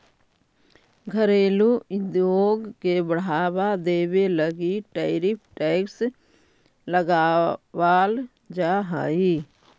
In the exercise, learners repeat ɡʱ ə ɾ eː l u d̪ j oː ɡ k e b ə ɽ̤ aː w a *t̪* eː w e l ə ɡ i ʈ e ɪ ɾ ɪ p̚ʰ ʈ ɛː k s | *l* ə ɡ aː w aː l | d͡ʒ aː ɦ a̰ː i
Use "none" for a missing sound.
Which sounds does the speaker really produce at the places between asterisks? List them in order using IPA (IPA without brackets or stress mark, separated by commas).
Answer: d̪, l